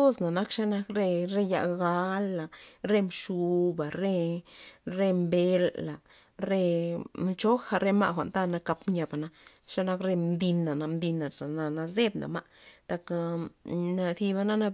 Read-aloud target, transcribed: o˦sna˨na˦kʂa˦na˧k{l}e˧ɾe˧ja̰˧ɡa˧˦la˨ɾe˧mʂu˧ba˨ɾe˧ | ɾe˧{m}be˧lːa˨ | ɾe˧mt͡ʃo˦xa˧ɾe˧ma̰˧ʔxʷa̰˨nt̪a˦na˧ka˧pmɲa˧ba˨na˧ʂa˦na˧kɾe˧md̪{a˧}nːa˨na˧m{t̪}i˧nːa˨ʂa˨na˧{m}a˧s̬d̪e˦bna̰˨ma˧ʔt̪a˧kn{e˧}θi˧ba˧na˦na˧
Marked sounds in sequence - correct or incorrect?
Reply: incorrect, correct, incorrect, incorrect, incorrect, incorrect

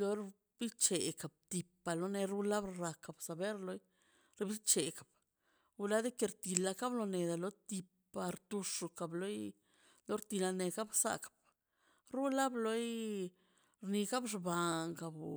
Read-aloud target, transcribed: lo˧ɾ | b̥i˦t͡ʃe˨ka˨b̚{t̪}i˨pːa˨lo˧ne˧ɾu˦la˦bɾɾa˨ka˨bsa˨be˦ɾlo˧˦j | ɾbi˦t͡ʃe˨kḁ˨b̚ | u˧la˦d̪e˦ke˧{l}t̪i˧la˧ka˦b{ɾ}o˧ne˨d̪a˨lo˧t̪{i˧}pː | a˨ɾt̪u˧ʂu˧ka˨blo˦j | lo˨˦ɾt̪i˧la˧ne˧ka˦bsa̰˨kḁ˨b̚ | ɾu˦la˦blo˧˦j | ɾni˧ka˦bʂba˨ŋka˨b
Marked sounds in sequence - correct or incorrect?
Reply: correct, incorrect, incorrect, correct

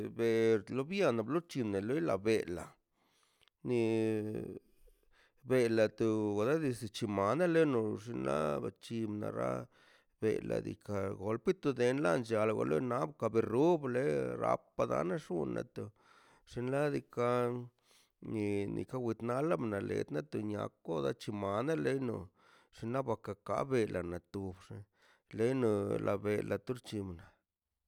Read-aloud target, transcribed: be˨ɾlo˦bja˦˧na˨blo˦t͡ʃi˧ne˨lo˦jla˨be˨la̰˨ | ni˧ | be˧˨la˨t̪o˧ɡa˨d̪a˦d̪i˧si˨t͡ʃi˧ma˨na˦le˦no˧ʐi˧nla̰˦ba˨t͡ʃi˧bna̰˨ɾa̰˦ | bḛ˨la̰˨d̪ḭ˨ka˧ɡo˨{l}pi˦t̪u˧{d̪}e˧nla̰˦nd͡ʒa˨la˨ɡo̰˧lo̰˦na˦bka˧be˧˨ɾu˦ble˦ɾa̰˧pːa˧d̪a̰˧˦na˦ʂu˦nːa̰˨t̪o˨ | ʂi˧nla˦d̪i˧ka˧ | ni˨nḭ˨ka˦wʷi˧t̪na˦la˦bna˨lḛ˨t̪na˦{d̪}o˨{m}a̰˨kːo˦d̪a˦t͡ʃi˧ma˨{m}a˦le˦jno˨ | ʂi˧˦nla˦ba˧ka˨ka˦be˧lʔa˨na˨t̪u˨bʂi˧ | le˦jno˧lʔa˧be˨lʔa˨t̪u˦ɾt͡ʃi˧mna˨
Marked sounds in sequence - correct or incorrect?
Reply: correct, correct, incorrect, incorrect, incorrect

